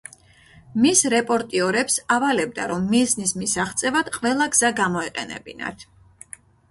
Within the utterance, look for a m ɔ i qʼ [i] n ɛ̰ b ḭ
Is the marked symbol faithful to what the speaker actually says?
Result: no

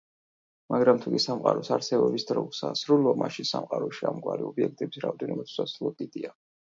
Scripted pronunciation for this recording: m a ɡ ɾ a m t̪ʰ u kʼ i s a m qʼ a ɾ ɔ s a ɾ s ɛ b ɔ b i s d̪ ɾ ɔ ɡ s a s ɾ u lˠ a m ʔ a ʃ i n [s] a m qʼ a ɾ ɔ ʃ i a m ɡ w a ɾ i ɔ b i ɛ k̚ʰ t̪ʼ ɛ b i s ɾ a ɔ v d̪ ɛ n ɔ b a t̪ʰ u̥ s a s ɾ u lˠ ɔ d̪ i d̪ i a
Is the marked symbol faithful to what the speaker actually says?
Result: yes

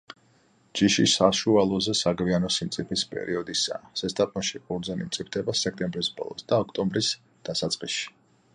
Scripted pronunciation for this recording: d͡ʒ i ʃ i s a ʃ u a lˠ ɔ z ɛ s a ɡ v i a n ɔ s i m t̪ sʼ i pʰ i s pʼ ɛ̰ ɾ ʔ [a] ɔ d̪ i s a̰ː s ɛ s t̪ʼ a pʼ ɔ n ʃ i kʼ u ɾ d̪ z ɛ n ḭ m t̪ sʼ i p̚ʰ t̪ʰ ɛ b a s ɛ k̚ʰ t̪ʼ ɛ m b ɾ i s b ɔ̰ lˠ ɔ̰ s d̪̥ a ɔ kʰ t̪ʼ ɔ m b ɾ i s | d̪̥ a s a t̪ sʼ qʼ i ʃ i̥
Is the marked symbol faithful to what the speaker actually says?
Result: no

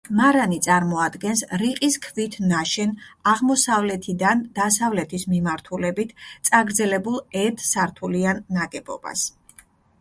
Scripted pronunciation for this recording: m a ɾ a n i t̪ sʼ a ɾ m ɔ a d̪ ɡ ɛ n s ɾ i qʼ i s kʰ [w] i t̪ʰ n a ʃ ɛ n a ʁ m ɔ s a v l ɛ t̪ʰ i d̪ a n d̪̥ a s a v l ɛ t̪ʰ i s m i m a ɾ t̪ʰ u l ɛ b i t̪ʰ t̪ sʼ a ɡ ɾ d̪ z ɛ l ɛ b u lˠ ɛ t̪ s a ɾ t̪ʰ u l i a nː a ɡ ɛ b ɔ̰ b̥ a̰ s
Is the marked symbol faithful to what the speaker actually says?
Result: no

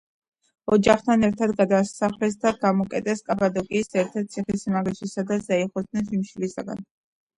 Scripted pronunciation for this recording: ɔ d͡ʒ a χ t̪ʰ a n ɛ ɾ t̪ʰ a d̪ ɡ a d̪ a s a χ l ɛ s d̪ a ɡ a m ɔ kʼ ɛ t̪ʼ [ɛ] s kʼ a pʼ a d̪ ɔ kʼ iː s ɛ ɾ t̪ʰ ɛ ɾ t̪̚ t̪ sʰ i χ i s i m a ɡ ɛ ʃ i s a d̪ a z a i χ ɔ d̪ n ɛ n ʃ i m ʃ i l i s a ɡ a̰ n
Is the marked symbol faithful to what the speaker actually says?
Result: yes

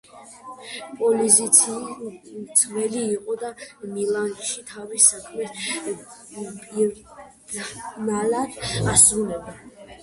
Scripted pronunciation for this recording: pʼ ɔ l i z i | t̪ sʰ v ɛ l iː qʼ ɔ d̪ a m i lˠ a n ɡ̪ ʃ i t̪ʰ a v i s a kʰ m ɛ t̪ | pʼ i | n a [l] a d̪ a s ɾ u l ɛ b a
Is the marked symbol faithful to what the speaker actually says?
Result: yes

